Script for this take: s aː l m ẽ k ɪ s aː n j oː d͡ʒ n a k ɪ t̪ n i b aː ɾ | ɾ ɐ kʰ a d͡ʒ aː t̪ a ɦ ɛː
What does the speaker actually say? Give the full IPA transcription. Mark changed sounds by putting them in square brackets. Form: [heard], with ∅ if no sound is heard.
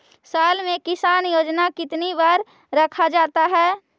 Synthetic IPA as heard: s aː l m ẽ k ɪ s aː n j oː d͡ʒ n a k ɪ t̪ n i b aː ɾ | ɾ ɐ kʰ a d͡ʒ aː t̪ a ɦ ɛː